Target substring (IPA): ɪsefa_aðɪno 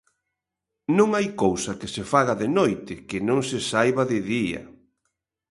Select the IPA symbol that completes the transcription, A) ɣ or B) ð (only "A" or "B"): A